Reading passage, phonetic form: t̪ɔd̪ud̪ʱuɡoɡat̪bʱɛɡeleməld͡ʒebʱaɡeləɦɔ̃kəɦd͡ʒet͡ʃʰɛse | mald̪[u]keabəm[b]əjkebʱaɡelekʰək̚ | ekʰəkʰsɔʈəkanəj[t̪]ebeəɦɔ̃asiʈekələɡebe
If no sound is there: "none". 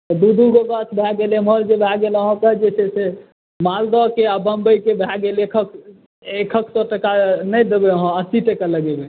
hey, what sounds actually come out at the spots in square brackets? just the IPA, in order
ɔ, b, d̪

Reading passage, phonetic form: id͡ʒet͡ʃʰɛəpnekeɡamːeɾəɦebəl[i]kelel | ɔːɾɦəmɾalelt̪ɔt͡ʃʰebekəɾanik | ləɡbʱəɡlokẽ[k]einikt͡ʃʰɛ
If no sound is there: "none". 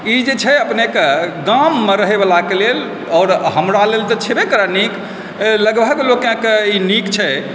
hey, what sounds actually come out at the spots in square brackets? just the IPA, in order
a, k

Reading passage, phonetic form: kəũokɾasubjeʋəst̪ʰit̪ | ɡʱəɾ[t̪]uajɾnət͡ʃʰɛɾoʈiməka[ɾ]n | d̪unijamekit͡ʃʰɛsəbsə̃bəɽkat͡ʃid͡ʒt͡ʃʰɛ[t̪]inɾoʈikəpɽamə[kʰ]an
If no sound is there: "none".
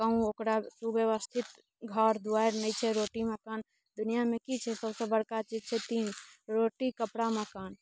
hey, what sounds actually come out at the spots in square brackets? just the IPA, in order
d̪, none, t̪, k

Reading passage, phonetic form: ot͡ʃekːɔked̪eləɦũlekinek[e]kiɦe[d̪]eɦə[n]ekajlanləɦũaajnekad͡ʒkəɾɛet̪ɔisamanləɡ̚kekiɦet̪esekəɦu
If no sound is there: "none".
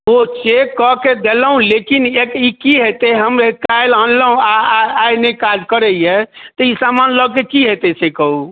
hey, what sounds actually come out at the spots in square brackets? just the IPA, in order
i, t̪, m

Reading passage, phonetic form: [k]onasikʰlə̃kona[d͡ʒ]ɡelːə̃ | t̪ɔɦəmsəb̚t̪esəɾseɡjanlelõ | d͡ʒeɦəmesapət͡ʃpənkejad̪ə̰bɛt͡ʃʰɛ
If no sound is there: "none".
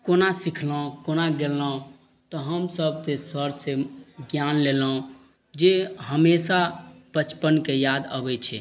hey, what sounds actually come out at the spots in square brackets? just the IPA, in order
k, none

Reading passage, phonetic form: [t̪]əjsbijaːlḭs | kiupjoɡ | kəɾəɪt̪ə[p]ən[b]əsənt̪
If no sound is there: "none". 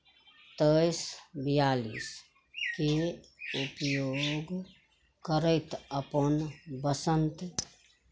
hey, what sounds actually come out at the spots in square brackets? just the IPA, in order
t̪, p, b

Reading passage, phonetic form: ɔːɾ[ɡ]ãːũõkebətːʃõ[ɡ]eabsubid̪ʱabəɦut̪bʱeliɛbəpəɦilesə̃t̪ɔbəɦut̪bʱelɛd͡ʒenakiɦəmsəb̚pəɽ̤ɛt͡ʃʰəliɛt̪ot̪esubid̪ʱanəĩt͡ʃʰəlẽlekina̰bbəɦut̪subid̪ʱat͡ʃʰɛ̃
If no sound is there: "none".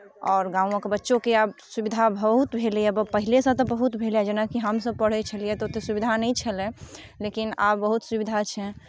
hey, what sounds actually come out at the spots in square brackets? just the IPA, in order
ɡ, k

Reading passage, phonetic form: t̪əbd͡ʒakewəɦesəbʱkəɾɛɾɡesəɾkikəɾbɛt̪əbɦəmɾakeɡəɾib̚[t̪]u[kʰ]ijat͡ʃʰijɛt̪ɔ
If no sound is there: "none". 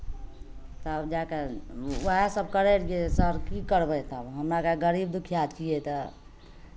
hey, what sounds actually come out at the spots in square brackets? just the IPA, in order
d̪, kʰ

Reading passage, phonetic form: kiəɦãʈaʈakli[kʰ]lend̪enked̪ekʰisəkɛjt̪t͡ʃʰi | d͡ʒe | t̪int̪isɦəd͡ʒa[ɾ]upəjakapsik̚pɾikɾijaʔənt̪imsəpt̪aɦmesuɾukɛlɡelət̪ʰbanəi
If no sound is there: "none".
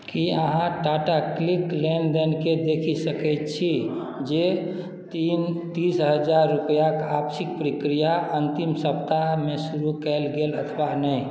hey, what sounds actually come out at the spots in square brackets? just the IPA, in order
k, ɾː

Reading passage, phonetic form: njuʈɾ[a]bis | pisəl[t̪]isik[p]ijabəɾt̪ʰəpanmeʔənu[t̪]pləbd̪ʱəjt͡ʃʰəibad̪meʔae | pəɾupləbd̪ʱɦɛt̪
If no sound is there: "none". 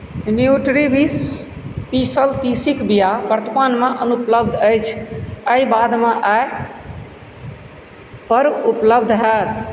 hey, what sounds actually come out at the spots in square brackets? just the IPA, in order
i, t̪, b, none

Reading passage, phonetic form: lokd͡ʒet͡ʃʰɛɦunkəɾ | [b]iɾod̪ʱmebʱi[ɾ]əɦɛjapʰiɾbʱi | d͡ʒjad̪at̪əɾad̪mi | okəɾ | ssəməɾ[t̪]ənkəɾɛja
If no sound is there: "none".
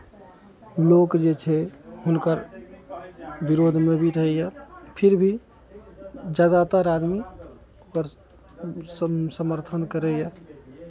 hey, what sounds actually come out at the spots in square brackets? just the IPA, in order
b, ɾ, t̪ʰ

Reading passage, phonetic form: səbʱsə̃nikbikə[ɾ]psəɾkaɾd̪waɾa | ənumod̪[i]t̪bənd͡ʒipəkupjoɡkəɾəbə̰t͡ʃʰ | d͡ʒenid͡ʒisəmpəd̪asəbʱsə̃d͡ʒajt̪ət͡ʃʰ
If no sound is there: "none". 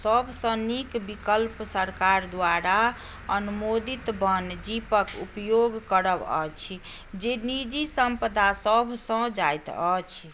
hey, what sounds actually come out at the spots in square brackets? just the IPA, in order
l, i

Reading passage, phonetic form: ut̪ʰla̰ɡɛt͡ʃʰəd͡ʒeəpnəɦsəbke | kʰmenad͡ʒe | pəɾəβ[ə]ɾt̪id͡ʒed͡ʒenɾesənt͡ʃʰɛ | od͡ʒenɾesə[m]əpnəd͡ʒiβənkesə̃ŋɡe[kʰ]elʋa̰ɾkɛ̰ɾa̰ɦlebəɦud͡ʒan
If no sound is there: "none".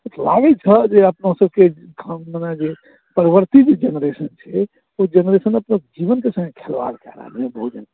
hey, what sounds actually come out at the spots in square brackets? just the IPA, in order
ə, n, kʰ

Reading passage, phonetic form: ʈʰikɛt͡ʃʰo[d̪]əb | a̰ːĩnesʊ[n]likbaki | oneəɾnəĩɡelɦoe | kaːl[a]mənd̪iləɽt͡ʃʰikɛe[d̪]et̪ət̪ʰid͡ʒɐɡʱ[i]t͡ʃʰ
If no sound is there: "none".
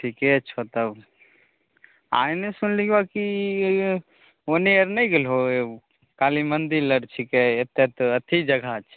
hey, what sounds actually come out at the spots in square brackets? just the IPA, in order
t̪, n, i, t̪, a

